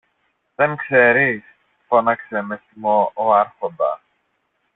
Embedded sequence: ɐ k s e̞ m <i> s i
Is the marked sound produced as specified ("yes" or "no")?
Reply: no